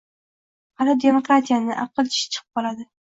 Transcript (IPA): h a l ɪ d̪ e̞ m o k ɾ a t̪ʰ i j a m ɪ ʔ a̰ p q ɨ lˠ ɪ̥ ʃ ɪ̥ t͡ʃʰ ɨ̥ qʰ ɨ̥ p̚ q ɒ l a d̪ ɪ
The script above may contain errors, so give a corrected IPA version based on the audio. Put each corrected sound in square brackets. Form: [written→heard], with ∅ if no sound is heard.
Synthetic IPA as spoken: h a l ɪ d̪ e̞ m o k ɾ a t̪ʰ i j a [m→n] ɪ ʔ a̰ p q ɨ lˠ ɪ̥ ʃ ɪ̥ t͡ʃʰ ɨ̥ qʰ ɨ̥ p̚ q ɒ l a d̪ ɪ